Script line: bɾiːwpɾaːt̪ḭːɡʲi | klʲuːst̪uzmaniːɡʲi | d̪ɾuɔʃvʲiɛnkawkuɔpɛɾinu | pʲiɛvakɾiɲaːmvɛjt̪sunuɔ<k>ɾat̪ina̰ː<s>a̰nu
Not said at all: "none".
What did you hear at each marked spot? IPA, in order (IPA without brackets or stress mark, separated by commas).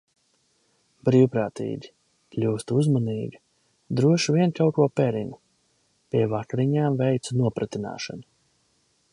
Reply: p, ʃ